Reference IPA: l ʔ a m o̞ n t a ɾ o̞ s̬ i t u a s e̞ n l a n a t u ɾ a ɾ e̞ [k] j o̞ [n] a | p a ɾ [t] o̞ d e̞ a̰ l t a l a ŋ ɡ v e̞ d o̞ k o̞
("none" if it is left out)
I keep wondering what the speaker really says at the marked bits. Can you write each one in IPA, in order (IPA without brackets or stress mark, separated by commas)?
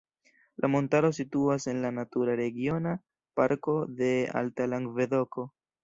ɡ, n, k